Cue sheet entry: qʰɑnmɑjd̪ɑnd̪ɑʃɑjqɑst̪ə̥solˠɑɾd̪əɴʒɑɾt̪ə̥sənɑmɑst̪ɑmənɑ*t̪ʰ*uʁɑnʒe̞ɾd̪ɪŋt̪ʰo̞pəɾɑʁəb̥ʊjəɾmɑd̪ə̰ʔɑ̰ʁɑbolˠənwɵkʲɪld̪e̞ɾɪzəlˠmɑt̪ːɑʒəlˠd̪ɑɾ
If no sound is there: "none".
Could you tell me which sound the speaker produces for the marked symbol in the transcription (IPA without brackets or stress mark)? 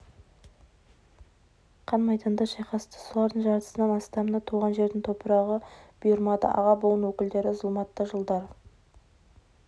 t̪ʰ